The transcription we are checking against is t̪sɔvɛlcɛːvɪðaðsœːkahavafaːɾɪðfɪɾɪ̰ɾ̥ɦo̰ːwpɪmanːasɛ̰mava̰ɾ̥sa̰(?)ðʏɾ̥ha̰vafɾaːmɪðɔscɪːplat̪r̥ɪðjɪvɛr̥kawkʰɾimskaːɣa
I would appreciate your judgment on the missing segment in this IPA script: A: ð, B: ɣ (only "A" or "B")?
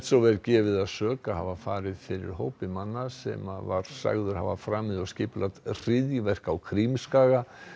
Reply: B